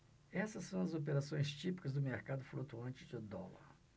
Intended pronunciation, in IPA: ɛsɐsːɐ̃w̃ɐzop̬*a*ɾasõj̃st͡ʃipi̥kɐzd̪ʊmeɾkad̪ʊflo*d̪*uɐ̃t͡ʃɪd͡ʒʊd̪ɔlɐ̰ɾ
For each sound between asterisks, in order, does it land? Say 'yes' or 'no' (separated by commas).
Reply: no, no